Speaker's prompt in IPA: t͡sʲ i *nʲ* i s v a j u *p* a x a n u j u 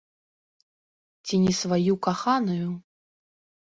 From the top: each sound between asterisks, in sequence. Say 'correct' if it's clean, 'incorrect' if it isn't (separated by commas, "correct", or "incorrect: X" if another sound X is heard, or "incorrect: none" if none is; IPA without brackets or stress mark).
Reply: correct, incorrect: k